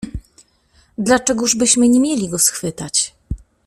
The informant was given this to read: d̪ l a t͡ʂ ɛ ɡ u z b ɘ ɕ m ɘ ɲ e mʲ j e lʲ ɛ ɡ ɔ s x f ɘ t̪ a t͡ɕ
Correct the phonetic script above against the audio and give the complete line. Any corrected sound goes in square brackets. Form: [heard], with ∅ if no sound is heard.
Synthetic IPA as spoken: d̪ l a t͡ʂ ɛ ɡ u [ʐ] b ɘ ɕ m ɘ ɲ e mʲ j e lʲ [i] ɡ ɔ s x f ɘ t̪ a t͡ɕ